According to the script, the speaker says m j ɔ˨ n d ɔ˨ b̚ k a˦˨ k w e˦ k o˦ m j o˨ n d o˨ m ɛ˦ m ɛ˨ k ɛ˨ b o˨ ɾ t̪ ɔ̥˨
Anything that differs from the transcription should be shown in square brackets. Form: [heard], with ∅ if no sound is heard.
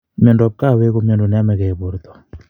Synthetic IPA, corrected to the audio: m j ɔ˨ n d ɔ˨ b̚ k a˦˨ [∅] w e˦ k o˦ m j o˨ n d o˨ [n] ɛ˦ m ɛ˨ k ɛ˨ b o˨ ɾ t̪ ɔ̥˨